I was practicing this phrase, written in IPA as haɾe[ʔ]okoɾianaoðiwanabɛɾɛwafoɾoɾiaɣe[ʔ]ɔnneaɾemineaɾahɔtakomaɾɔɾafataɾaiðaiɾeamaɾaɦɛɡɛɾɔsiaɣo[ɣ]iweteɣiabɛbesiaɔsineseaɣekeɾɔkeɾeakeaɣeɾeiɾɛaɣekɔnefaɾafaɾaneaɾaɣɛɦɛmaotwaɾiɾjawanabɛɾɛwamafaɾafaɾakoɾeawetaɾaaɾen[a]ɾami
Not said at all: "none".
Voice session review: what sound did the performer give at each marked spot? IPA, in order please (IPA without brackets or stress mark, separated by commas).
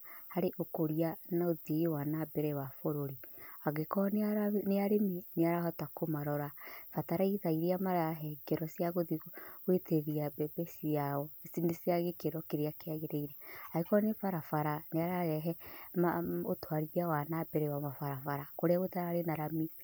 ʔ, k, ð, a